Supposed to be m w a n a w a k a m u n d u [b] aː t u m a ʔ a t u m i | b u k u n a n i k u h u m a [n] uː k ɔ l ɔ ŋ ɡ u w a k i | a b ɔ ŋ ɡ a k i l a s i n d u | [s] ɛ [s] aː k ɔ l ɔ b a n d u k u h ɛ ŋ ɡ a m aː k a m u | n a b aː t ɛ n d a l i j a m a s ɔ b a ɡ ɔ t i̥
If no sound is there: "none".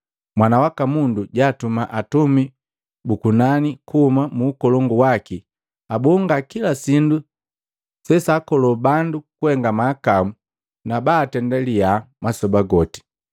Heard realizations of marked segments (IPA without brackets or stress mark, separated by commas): ɟ, m, s, s